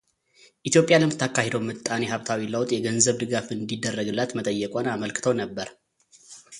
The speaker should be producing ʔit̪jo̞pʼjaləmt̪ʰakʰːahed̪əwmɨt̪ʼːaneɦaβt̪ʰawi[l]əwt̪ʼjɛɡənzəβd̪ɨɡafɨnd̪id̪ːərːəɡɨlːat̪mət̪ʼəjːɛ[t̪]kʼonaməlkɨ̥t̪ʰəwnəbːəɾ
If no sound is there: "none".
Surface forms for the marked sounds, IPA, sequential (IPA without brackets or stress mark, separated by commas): l, none